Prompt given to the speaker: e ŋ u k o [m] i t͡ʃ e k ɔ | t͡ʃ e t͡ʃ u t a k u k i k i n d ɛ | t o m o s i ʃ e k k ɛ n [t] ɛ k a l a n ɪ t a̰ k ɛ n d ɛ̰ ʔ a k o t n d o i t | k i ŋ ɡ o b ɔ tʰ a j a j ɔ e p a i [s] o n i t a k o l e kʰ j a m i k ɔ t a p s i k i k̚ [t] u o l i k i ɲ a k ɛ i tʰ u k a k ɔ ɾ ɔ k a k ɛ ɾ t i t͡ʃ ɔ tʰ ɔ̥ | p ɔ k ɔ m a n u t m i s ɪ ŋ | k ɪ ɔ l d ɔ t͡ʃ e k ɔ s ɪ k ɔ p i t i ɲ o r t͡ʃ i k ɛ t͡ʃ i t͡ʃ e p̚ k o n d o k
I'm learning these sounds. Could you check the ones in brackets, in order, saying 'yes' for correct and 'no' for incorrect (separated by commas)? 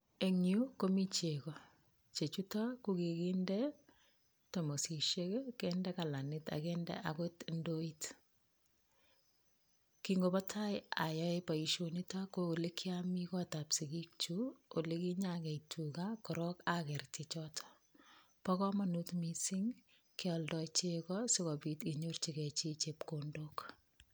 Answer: yes, no, no, no